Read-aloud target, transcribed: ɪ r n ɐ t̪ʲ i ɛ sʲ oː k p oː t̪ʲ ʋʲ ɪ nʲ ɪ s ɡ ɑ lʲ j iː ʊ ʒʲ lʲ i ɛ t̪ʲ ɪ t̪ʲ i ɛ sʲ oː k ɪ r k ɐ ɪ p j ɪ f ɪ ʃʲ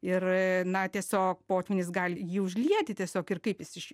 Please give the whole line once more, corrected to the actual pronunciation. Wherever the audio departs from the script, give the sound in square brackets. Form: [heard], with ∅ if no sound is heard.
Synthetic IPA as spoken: ɪ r n ɐ t̪ʲ i ɛ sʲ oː k p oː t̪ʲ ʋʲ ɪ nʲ ɪ s ɡ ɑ lʲ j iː ʊ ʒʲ lʲ i ɛ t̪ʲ ɪ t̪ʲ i ɛ sʲ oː k ɪ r k ɐ ɪ p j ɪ [s] ɪ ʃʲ